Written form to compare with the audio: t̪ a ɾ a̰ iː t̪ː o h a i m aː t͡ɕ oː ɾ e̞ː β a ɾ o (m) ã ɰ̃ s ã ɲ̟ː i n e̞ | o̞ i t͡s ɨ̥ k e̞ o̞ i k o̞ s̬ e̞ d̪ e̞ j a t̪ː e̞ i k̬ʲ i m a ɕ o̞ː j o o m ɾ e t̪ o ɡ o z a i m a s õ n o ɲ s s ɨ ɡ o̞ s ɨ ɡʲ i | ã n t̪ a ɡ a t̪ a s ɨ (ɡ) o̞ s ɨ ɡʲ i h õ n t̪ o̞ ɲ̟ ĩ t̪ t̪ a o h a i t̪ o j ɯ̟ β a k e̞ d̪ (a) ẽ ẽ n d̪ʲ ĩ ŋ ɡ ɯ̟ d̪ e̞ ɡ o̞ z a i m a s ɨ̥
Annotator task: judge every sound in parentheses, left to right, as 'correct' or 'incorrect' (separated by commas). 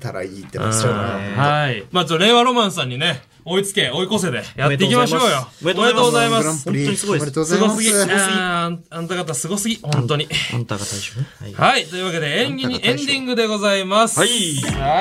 correct, correct, incorrect